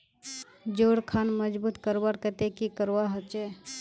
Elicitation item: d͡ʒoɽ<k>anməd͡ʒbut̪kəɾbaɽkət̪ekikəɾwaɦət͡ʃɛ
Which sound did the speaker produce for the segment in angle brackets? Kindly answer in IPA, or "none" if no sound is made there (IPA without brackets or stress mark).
kʰ